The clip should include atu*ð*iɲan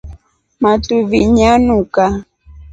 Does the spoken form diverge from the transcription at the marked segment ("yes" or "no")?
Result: yes